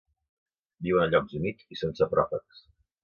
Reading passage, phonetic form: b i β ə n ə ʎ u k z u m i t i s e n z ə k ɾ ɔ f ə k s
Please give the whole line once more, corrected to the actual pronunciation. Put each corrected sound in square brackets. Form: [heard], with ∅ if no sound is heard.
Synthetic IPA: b i [w] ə n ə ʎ [ɔ] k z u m i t i s e n [s] ə [p] ɾ ɔ f ə k s